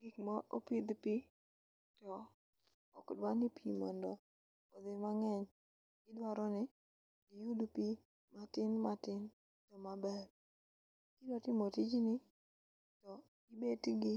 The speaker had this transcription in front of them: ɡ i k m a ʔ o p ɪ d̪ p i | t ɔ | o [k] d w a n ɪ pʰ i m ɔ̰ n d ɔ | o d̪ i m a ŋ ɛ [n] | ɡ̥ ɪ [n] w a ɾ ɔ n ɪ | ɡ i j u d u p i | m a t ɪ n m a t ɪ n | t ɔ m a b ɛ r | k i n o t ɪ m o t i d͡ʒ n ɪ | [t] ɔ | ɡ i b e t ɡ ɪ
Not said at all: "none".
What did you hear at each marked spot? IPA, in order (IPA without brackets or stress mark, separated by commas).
k, ɲ, d, t